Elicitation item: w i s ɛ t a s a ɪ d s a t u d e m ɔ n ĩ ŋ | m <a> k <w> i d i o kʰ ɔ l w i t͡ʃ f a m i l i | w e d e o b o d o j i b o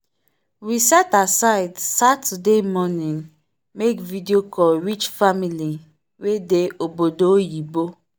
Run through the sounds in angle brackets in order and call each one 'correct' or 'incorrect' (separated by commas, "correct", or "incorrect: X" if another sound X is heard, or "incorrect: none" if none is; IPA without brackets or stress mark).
incorrect: e, incorrect: v